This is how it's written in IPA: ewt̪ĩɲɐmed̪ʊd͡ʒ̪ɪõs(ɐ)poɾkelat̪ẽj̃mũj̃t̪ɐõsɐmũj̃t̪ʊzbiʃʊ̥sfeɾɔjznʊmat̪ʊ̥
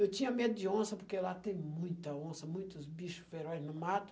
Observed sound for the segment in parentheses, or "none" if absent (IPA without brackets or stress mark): ɐ